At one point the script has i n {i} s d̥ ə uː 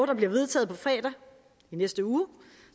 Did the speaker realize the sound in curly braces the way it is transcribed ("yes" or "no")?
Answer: no